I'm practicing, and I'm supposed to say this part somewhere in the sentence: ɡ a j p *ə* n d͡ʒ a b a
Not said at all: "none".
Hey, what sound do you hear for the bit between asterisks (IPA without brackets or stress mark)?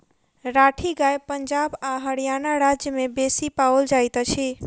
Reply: ə